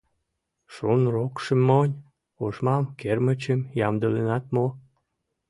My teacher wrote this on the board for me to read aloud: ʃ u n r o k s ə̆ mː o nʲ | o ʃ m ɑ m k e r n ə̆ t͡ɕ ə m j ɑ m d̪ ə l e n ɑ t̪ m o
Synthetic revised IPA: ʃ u n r o k ʃ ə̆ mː o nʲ | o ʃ m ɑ m k e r m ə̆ t͡ɕ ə m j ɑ m d̪ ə l e n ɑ t̪ m o